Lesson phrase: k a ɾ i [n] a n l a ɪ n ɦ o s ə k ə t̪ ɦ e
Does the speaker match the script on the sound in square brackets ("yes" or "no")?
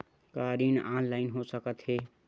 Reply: yes